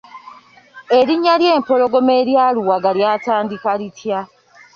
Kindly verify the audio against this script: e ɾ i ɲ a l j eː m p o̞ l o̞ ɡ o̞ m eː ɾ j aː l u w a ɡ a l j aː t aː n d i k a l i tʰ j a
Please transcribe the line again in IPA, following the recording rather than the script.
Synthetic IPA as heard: e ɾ i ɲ a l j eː m p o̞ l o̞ ɡ o̞ m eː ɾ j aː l u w a ɡ a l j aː t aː n d i k a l i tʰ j a